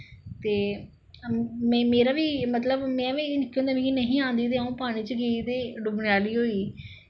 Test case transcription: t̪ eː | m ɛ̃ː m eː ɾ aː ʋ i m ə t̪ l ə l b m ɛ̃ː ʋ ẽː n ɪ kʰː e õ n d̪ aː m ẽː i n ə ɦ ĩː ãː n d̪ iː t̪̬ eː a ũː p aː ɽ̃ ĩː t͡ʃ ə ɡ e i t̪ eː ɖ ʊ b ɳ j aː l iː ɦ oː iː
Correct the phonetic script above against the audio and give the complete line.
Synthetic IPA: t̪ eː | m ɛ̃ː m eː ɾ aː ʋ iː m ə t̪ l ə b m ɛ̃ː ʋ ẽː n ɪ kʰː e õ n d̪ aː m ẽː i n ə ɦ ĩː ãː n d̪ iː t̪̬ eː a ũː p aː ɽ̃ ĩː t͡ʃ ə ɡ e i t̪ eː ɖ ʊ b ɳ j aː l iː ɦ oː iː